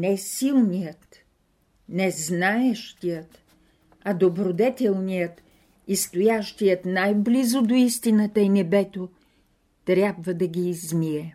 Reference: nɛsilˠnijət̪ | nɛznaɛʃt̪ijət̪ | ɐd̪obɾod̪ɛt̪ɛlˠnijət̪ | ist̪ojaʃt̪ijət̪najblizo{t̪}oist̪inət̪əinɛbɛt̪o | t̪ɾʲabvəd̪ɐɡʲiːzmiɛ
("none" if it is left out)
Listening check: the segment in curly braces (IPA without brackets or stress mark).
d̪